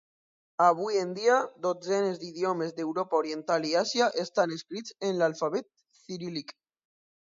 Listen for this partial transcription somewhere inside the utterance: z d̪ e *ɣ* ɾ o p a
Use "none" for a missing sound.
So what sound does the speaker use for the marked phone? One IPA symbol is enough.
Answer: w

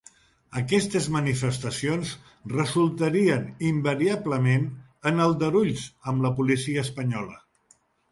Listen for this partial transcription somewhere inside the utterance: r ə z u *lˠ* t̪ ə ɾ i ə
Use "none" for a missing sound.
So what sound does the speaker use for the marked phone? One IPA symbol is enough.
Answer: lˠ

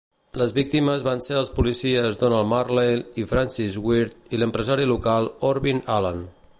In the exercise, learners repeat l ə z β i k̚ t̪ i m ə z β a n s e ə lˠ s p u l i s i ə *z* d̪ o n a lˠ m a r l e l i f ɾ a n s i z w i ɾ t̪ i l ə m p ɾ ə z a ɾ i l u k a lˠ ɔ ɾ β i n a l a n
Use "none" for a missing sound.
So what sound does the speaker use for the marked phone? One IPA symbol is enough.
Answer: z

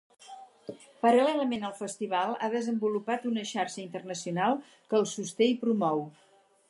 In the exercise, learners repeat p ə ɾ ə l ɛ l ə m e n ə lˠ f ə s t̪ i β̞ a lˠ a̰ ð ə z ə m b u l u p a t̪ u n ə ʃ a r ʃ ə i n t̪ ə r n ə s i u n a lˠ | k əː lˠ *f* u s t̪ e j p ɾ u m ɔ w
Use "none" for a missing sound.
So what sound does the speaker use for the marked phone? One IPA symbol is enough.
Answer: s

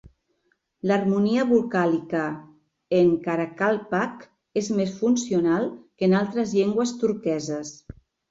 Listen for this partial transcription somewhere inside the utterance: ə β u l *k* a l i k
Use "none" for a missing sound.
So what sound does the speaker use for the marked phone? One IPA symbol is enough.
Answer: k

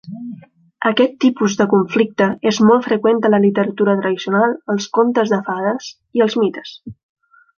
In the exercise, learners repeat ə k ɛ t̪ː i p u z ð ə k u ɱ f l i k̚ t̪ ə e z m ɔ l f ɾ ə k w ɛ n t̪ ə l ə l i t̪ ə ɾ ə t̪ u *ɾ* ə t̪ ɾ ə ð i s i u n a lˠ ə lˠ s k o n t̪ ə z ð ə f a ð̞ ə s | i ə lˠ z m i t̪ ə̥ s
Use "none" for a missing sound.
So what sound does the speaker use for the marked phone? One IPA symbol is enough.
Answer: ɾ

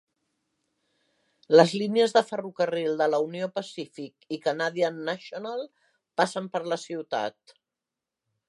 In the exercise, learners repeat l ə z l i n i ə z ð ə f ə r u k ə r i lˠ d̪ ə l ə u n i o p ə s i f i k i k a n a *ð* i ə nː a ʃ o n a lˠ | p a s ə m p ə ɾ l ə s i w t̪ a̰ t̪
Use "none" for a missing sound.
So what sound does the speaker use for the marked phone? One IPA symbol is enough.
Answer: ð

